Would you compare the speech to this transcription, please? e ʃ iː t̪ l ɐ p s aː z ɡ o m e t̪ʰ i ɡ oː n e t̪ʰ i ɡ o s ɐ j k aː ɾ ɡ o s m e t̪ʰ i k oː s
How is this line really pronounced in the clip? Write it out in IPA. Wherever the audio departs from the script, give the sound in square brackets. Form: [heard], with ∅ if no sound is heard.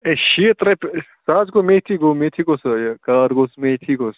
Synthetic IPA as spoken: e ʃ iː t̪ [ɾ] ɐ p s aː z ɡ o m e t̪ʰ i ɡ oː [m] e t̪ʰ i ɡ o s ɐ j k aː ɾ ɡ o s m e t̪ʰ i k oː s